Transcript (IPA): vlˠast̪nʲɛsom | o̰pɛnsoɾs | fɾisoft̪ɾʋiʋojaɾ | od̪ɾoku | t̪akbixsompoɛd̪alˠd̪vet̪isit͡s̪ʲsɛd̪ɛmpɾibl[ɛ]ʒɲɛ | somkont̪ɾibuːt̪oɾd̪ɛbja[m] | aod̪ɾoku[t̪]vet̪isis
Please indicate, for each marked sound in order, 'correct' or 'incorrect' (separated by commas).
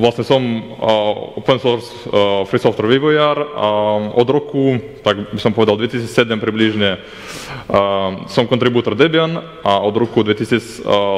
incorrect, incorrect, incorrect